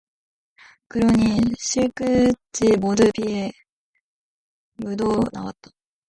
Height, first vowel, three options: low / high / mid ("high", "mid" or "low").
high